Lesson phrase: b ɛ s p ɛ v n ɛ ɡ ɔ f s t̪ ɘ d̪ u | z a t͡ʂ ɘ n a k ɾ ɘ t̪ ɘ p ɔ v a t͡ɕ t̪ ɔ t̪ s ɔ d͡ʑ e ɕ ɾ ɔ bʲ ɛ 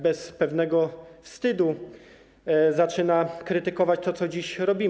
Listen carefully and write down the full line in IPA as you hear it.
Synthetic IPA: b ɛ s p ɛ v n ɛ ɡ ɔ f s t̪ ɘ d̪ u | z a t͡ʂ ɘ n a k ɾ ɘ t̪ ɘ k ɔ v a t͡ɕ t̪ ɔ t̪ s ɔ d͡ʑ i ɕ ɾ ɔ bʲ i